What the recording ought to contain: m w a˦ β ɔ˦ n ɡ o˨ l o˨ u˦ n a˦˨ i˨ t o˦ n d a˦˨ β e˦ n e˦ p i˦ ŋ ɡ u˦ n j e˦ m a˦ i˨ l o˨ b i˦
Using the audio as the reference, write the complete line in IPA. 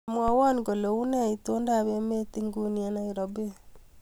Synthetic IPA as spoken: m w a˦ w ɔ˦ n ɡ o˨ l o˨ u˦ n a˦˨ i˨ t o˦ n d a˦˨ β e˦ m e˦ t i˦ ŋ ɡ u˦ n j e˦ n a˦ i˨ ɾ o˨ b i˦